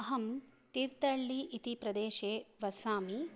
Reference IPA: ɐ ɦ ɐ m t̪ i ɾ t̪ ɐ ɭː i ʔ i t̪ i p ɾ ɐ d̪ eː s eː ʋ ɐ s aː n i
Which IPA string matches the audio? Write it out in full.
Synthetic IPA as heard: ɐ ɦ ɐ m t̪ i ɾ t̪ ɐ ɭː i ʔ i t̪ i p ɾ ɐ d̪ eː ʃ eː ʋ ɐ s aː m i